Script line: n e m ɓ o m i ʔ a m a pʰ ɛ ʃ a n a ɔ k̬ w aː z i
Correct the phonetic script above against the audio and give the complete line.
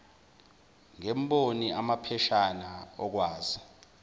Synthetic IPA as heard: ŋ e m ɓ o n i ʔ a m a pʰ ɛ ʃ a n a ɔ k̬ w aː z i